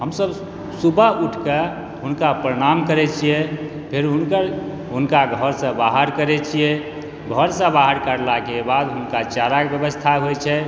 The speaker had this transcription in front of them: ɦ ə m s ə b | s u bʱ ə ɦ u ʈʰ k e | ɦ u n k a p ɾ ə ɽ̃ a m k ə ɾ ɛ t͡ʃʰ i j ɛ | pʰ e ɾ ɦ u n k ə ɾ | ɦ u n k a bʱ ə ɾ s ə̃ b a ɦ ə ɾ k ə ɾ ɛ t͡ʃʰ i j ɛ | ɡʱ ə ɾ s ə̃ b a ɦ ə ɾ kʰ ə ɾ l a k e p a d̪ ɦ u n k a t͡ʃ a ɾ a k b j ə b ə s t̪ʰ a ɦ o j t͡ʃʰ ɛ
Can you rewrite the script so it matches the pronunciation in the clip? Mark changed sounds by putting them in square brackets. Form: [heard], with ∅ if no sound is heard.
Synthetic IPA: ɦ ə m s ə b | s u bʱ ə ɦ u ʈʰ k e | ɦ u n k a p ɾ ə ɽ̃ a m k ə ɾ ɛ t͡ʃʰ i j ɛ | pʰ e ɾ ɦ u n k ə ɾ | ɦ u n k a [ɡʱ] ə ɾ s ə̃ b a ɦ ə ɾ k ə ɾ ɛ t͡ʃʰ i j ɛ | ɡʱ ə ɾ s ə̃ b a ɦ ə ɾ [k] ə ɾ l a k e [b] a d̪ ɦ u n k a t͡ʃ a ɾ a k b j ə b ə s t̪ʰ a ɦ o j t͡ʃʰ ɛ